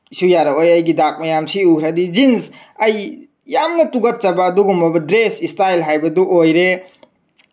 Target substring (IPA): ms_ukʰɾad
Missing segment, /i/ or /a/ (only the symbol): i